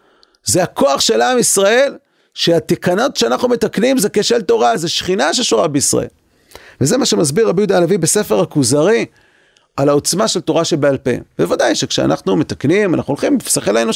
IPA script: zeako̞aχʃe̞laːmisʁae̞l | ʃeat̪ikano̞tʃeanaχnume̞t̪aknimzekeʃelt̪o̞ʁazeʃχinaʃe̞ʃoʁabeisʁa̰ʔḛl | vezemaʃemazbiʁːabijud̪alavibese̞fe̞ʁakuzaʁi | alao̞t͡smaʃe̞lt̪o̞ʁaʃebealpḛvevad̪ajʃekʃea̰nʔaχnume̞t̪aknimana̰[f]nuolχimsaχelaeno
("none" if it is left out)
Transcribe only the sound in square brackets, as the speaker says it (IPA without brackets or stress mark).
χ